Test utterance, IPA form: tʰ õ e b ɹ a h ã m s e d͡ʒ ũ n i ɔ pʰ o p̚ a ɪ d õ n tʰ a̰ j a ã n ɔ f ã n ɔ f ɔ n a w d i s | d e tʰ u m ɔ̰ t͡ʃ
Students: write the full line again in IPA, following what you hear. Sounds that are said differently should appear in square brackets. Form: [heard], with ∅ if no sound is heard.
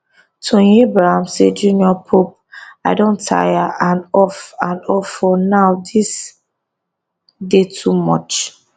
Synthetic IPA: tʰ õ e b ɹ a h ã m s e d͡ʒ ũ n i ɔ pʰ o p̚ a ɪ d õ n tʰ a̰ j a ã n ɔ f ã n ɔ f ɔ n a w d i s | d e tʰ u m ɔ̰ t͡ʃ